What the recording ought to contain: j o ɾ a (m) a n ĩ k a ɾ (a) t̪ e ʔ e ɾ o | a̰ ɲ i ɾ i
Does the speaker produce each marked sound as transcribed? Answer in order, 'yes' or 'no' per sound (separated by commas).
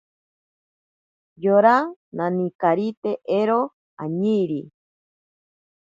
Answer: no, no